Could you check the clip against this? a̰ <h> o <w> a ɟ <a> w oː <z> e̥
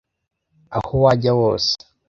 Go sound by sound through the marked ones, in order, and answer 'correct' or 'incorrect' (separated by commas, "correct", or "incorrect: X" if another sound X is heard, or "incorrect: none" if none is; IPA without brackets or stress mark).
correct, correct, correct, incorrect: s